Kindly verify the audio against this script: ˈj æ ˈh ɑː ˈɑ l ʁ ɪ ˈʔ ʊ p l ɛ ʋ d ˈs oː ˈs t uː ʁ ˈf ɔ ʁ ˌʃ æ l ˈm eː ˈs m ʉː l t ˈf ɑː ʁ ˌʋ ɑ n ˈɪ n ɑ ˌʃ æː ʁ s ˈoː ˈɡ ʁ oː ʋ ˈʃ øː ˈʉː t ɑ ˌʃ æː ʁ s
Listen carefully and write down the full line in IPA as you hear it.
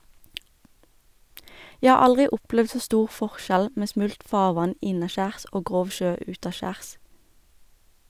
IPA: ˈj æ ˈh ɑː ˈɑ l ʁ ɪ ˈʔ ʊ p l ɛ ʋ d ˈs oː ˈs t uː ʁ ˈf ɔ ʁ ˌʃ æ l ˈm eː ˈs m ʉ l t ˈf ɑː ʁ ˌʋ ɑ n ˈɪ n ɑ ˌʃ æː ʁ s ˈoː ˈɡ ʁ oː ʋ ˈʃ øː ˈʉː t ɑ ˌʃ æː ʁ s